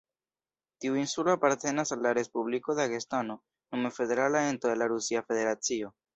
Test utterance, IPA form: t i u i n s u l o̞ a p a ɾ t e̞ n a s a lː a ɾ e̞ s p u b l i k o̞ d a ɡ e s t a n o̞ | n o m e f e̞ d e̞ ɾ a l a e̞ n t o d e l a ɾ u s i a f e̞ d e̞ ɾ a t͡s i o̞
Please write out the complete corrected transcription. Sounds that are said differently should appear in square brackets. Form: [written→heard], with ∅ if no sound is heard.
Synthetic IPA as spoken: t i u i n s u l o̞ a p a ɾ t e̞ n a s a lː a ɾ e̞ s p u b l i k o̞ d a ɡ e s t a n o̞ | n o m e f e̞ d e̞ ɾ a l a e̞ n t o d e l a ɾ u s i a f e̞ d e̞ ɾ a t͡s i o̞